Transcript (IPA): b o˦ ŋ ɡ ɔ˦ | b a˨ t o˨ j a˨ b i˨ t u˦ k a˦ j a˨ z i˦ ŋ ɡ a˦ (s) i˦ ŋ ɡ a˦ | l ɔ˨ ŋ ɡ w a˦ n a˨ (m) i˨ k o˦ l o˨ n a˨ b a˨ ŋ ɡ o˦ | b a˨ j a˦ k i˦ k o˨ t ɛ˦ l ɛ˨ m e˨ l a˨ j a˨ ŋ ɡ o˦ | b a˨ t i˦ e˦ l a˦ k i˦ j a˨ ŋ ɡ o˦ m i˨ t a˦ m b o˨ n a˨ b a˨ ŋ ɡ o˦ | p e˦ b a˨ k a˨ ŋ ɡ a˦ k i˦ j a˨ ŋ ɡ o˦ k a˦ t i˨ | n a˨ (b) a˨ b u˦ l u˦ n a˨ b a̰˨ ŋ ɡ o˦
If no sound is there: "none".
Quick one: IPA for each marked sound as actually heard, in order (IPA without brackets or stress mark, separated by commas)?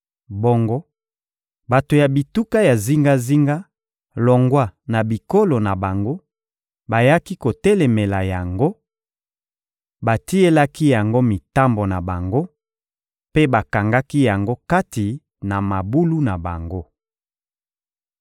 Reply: z, b, m